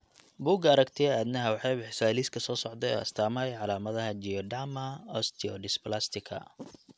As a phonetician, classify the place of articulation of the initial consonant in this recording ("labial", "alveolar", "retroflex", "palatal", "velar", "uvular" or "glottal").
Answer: labial